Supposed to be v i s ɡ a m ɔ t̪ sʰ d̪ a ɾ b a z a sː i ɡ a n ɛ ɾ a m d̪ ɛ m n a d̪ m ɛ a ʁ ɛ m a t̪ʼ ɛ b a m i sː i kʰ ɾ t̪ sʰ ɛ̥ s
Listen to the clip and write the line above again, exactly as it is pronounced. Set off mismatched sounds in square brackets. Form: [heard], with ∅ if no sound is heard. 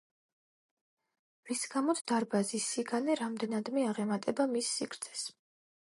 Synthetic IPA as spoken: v i s ɡ a m ɔ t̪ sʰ d̪ a ɾ b a z [i] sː i ɡ a n ɛ ɾ a m d̪ ɛ [∅] n a d̪ m ɛ a ʁ ɛ m a t̪ʼ ɛ b a m i sː i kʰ ɾ t̪ sʰ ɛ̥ s